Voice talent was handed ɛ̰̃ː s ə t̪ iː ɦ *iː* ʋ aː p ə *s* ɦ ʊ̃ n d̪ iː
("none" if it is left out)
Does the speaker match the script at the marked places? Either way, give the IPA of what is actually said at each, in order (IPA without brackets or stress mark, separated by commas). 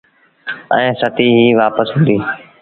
iː, s